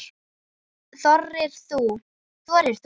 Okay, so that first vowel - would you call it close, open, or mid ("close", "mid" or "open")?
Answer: mid